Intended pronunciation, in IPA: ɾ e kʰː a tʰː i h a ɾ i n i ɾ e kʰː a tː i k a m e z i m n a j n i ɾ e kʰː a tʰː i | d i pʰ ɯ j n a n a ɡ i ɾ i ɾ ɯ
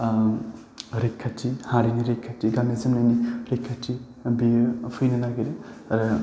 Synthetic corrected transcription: ɾ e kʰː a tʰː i h a ɾ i n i ɾ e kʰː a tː i ɡ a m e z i m n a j n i ɾ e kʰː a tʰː i | b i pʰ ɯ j n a n a ɡ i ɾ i ɾ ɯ